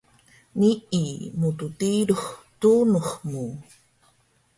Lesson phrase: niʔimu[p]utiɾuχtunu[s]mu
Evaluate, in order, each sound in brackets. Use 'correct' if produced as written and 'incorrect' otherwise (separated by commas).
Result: incorrect, incorrect